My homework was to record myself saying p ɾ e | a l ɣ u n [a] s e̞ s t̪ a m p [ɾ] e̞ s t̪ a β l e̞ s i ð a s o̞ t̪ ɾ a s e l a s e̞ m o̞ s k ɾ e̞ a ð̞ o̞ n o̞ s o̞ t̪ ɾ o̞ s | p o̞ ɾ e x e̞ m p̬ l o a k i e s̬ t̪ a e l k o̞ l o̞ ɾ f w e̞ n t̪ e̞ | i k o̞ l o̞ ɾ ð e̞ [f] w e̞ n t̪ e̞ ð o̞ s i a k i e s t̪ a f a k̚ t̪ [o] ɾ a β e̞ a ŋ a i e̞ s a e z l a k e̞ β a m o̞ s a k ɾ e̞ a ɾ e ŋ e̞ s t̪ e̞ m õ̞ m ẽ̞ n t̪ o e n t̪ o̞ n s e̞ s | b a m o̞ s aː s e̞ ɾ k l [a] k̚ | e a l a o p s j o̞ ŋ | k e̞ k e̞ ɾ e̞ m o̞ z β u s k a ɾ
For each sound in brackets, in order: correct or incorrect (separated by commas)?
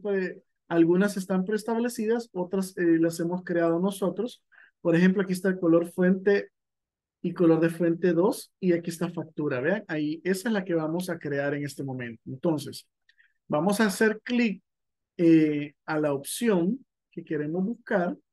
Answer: correct, correct, correct, incorrect, incorrect